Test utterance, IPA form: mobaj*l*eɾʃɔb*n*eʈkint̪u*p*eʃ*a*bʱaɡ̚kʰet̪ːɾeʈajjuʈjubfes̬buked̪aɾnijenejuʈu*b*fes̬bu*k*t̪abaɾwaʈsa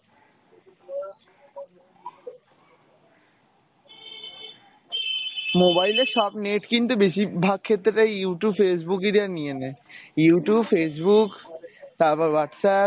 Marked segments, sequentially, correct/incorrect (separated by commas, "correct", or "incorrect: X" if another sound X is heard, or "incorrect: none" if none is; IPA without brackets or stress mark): correct, correct, incorrect: b, incorrect: i, correct, correct